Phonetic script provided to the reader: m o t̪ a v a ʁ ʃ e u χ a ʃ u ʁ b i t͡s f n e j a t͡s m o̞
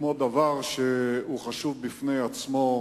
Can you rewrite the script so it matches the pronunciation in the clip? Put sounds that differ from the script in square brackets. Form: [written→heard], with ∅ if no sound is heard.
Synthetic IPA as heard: m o [t̪→d̪] a v a ʁ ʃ e u χ a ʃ u [ʁ→v] b i [t͡s→∅] f n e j a t͡s m o̞